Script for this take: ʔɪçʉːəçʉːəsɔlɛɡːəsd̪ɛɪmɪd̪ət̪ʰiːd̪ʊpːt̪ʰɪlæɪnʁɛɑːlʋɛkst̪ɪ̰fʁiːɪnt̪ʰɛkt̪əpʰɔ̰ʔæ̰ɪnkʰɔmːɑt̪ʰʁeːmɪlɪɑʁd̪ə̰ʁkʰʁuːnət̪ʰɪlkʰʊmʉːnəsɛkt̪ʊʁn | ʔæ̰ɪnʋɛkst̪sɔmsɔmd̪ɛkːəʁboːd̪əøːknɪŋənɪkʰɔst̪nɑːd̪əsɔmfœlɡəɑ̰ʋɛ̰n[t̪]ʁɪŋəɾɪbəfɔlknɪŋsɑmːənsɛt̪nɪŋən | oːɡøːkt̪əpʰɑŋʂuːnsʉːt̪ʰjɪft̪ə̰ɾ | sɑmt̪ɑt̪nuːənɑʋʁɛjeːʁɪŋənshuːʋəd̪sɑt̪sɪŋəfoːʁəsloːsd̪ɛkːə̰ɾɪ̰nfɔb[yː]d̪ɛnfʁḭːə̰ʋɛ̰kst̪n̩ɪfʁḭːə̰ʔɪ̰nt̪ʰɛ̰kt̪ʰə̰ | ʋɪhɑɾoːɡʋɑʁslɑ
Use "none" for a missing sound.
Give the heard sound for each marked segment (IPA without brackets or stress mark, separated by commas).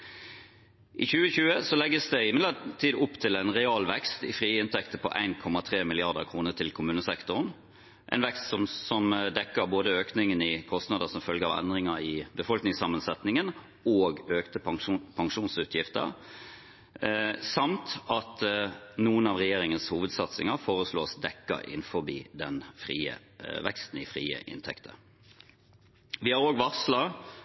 d̪, iː